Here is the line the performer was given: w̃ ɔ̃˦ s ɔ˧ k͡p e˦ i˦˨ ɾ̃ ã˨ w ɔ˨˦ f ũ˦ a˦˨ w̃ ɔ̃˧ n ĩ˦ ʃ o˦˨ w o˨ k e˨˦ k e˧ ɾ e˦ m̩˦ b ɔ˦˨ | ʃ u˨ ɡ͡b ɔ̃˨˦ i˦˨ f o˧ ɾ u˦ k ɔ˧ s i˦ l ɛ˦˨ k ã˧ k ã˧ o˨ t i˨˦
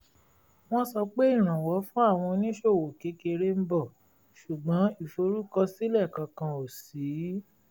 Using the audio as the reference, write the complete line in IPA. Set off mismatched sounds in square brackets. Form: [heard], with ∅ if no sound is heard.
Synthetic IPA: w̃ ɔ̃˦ s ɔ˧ k͡p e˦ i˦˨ ɾ̃ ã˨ w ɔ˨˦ f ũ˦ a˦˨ w̃ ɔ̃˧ n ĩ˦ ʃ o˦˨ w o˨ k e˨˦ k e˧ ɾ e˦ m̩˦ b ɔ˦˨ | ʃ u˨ ɡ͡b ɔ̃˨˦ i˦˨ f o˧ ɾ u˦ k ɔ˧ s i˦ l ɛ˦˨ k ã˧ k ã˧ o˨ [s] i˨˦